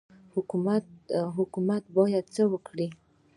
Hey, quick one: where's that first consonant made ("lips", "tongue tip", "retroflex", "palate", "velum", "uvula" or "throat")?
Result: throat